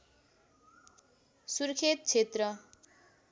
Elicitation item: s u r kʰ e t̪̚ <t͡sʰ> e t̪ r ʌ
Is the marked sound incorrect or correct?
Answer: correct